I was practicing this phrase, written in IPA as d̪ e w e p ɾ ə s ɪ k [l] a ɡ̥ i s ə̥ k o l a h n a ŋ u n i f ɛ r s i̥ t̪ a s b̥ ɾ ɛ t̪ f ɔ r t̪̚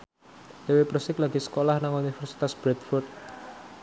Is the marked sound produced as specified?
yes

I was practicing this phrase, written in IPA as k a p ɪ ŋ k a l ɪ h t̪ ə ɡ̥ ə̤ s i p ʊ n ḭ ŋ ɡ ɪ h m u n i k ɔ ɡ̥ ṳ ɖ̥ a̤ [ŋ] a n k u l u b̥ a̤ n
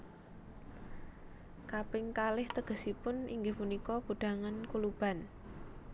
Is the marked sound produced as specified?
yes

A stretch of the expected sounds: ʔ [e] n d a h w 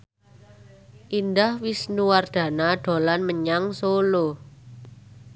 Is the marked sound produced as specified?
no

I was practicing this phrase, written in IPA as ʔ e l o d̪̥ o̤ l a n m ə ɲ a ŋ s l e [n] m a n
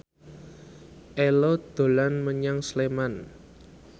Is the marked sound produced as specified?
no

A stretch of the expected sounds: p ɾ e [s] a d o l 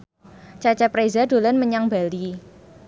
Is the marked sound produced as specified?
no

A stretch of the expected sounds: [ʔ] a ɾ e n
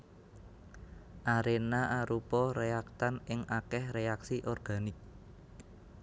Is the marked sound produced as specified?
yes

